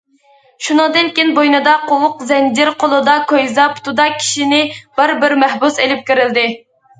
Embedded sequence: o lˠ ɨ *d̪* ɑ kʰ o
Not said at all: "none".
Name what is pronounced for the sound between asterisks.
d̪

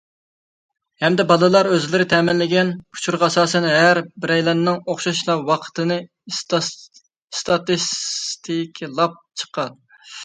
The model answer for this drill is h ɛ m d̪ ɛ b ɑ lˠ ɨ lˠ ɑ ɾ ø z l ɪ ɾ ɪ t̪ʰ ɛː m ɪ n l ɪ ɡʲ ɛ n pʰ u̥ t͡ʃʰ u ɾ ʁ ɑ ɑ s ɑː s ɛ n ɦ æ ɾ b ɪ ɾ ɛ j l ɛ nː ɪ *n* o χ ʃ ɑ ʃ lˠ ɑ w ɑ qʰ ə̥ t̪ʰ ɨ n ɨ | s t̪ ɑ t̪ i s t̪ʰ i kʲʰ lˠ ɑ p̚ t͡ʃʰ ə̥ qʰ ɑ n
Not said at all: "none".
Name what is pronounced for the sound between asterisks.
ŋ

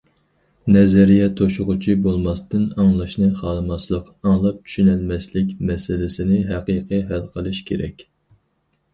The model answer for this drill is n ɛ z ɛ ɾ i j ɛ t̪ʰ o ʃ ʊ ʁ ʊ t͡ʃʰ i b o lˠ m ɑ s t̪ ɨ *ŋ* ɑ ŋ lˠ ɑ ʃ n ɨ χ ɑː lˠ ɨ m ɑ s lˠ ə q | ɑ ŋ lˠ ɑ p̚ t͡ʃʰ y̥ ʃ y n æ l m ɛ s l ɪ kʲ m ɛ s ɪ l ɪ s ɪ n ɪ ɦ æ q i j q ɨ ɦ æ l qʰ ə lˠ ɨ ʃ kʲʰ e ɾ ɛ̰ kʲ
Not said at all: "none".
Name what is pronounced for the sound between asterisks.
n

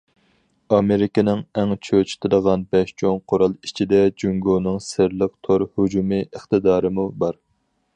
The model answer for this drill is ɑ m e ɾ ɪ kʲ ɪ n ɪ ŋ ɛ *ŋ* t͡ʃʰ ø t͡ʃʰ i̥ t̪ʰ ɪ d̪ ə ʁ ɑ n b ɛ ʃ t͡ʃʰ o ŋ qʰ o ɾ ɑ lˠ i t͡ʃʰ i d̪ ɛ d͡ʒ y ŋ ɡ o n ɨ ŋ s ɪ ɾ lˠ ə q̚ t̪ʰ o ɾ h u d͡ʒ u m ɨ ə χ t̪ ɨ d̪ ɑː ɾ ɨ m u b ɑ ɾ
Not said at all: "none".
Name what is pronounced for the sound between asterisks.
ŋ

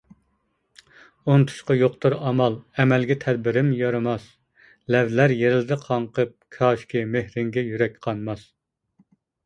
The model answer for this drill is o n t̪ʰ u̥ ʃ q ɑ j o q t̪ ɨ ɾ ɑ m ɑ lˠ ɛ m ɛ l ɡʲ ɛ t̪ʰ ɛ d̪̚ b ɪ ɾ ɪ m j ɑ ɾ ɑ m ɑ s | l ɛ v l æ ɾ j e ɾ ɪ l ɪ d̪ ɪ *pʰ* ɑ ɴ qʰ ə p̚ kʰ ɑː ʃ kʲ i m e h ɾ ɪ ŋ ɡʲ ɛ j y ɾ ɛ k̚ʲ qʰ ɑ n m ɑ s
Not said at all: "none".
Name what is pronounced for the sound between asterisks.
qʰ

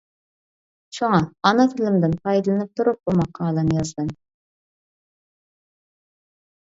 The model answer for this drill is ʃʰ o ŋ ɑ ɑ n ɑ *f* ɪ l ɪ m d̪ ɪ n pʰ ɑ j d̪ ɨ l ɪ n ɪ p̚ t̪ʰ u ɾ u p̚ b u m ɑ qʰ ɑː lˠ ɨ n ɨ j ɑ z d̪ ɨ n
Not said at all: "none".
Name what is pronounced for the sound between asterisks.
f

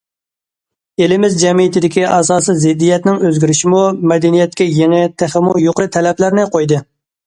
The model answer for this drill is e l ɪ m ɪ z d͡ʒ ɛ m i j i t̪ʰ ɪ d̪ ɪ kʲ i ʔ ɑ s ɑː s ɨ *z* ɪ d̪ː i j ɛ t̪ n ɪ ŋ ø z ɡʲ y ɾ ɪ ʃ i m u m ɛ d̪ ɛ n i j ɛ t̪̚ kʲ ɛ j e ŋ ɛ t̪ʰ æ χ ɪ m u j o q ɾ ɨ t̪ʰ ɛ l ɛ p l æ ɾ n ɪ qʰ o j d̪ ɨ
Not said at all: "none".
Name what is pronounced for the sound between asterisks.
z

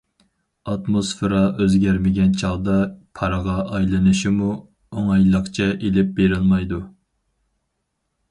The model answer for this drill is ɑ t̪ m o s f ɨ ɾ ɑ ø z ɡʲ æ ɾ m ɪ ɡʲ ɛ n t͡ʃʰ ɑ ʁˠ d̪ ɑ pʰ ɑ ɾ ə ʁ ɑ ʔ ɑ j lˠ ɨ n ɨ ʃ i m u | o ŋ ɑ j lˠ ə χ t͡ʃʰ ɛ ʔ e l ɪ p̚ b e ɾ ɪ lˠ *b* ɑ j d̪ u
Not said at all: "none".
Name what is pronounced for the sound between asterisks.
m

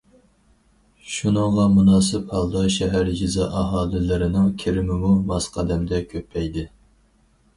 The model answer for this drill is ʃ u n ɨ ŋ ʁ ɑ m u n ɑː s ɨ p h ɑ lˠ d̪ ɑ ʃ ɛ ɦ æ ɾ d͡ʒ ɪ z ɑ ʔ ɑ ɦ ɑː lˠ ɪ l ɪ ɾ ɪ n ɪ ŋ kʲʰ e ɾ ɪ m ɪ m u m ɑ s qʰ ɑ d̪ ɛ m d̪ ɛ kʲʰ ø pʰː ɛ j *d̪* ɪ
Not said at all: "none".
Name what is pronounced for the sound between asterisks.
d̪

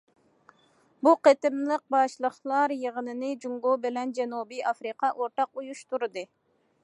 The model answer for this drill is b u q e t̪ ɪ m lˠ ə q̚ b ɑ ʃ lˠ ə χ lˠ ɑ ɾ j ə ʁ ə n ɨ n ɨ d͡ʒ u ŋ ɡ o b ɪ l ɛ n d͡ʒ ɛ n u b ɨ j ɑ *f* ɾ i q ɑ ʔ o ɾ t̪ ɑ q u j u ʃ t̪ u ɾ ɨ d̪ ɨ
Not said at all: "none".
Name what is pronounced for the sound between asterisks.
f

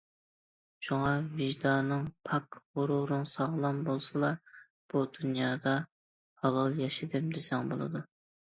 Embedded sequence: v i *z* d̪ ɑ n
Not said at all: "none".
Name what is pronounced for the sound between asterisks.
ʒ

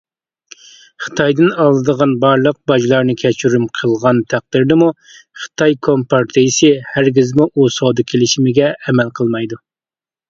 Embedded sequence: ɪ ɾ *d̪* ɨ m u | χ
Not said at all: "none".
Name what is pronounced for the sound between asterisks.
d̪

